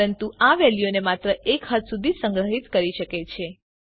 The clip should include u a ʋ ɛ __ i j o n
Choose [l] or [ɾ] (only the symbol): l